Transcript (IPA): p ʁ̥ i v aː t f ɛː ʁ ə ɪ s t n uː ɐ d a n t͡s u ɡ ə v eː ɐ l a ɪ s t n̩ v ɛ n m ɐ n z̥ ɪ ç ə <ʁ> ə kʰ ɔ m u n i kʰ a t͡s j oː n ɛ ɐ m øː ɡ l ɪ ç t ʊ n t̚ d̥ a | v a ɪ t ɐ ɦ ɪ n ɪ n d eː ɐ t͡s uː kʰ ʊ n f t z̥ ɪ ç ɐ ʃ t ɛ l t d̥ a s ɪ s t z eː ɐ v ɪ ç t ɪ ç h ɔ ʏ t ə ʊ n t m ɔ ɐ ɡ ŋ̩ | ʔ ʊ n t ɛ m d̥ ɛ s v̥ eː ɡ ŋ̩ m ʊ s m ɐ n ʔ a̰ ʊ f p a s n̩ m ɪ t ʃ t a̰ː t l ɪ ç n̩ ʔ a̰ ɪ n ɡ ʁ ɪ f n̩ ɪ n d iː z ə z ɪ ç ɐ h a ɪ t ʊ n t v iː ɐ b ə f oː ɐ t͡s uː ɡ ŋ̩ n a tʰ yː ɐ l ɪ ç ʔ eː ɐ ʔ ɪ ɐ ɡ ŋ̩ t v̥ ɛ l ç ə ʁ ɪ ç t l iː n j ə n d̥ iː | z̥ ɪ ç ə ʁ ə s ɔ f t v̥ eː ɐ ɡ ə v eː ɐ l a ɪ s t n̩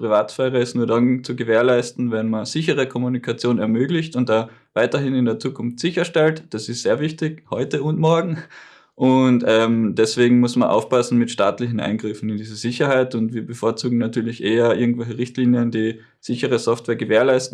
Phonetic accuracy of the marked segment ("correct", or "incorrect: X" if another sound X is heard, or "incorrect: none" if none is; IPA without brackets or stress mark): correct